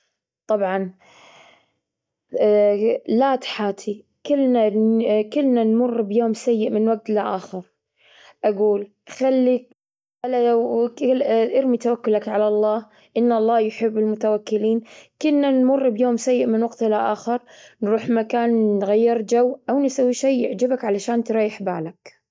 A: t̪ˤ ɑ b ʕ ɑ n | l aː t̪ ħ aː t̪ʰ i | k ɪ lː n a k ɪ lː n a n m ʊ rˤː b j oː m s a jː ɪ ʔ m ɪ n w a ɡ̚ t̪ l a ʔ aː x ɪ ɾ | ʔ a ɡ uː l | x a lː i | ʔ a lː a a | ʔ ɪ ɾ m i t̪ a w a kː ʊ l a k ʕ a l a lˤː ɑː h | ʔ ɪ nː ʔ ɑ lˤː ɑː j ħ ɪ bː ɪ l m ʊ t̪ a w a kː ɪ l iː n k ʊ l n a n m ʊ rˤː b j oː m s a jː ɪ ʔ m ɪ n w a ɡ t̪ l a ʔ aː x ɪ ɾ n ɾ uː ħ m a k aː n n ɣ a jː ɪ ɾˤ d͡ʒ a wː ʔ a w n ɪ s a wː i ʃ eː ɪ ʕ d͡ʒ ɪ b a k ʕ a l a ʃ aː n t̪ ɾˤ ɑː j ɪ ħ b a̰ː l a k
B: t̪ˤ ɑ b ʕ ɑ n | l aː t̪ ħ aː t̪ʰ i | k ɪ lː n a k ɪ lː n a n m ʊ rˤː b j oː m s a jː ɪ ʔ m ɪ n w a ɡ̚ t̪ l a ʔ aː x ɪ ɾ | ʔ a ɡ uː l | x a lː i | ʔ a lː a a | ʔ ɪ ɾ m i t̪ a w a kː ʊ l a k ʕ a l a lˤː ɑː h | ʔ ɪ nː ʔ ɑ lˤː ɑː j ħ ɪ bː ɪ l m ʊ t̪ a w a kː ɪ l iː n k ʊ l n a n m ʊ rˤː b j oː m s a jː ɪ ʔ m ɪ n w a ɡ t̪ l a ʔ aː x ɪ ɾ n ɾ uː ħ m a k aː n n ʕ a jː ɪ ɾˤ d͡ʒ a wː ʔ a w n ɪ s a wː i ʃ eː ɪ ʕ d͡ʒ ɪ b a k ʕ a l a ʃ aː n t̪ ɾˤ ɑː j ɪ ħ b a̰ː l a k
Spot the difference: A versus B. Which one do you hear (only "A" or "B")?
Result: A